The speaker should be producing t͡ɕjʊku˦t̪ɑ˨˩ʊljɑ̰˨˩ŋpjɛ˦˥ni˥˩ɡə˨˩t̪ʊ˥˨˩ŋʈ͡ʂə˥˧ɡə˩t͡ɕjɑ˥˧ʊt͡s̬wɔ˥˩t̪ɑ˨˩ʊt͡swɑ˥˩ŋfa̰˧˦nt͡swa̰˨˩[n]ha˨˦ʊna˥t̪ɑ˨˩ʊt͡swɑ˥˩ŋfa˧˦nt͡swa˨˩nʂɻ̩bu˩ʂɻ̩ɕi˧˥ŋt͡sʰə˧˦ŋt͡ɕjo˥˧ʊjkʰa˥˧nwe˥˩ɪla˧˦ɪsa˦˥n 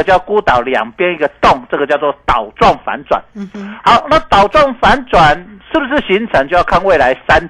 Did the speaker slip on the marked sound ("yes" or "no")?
no